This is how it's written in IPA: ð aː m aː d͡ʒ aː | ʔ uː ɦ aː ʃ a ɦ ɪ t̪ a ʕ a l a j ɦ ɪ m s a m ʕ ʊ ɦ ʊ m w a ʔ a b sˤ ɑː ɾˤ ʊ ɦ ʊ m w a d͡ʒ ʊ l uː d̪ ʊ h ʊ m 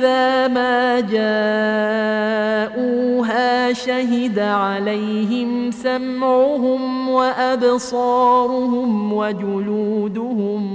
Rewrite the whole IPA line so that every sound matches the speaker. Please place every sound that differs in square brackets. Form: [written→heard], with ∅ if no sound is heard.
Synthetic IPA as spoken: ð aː m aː d͡ʒ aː | ʔ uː ɦ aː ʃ a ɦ ɪ [t̪→d̪] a ʕ a l a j ɦ ɪ m s a m ʕ ʊ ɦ ʊ m w a ʔ a b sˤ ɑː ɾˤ ʊ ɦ ʊ m w a d͡ʒ ʊ l uː d̪ ʊ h ʊ m